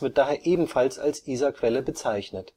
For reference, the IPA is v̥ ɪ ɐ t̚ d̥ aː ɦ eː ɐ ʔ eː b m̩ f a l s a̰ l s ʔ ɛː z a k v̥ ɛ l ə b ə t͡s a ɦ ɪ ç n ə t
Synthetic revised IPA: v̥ ɪ ɐ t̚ d̥ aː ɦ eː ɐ ʔ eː b m̩ f a l s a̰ l s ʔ iː z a k v̥ ɛ l ə b ə t͡s a ɪ ç n ə t